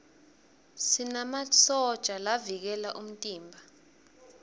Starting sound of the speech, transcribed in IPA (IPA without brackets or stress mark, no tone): s